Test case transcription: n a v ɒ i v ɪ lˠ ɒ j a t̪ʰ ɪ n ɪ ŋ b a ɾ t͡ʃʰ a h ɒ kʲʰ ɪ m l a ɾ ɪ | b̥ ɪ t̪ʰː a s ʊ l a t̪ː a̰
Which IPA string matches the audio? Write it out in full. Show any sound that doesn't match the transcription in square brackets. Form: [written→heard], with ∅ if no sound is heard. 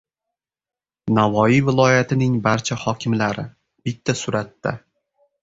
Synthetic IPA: n a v ɒ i v ɪ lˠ ɒ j a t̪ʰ ɪ n ɪ ŋ b a ɾ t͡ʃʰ a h ɒ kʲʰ ɪ m l a ɾ ɪ | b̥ ɪ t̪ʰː a s ʊ [l→ɾ] a t̪ː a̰